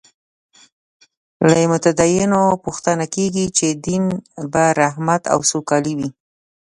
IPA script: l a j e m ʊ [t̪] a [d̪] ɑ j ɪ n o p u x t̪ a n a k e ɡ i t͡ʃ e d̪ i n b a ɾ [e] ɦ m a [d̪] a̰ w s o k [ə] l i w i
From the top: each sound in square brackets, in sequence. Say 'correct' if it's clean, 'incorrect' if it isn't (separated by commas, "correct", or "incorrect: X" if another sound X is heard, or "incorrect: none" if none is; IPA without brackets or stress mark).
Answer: correct, correct, incorrect: a, incorrect: t̪, incorrect: ɑ